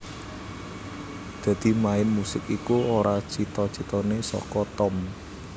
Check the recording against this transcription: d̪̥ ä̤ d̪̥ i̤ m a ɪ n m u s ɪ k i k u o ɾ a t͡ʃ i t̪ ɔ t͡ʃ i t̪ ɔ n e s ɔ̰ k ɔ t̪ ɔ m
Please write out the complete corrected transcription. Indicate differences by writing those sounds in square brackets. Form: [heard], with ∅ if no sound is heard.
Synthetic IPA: d̪̥ ä̤ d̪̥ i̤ m a ɪ n m u s ɪ k i k u o ɾ a t͡ʃ i t̪ ɔ t͡ʃ i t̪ ɔ n e s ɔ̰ k ɔ t̪ ɔ m